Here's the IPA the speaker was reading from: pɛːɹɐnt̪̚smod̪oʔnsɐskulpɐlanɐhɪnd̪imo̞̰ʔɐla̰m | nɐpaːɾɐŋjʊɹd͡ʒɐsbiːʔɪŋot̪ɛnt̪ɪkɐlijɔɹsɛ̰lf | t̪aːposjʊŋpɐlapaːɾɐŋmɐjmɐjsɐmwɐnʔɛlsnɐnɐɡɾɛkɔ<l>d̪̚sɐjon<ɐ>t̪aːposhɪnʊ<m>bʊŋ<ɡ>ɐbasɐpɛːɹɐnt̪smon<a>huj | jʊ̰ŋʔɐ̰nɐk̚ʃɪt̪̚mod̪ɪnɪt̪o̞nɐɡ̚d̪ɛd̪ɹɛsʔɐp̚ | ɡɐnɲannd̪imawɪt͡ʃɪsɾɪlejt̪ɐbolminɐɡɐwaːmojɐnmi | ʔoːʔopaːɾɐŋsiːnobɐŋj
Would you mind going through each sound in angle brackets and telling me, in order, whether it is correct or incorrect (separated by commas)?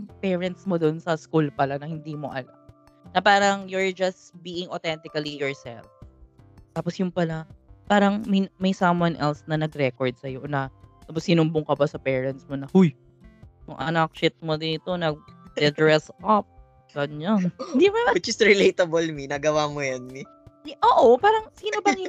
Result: incorrect, correct, correct, incorrect, incorrect